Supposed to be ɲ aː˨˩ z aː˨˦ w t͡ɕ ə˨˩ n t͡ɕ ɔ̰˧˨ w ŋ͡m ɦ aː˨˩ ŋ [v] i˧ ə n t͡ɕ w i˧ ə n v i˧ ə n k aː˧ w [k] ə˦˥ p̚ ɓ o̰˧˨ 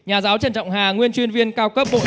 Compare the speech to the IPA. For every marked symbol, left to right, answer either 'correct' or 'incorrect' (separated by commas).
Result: incorrect, correct